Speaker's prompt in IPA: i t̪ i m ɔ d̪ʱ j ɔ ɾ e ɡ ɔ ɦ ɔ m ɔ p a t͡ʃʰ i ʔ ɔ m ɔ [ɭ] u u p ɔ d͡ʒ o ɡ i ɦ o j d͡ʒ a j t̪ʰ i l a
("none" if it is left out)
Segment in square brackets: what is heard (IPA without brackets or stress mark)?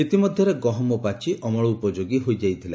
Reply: ɭ